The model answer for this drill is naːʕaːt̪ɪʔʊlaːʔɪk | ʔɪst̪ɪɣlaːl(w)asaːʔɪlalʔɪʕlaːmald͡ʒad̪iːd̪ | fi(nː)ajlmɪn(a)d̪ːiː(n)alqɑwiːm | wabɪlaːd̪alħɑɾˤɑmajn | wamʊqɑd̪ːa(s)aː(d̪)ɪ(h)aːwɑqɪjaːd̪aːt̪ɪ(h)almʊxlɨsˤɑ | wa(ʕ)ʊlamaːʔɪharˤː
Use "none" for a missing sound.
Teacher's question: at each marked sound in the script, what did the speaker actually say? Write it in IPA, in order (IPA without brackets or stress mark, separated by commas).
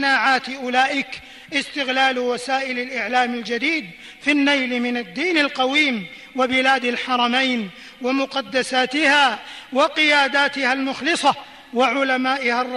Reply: w, nː, a, n, s, t̪, h, h, ʕ